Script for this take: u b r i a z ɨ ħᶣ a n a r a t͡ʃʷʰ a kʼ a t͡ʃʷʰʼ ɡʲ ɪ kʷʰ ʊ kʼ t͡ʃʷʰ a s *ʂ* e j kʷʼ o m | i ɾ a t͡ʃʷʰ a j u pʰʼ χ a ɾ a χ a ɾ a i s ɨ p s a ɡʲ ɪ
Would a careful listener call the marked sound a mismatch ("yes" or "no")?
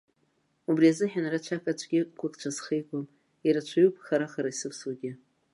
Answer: yes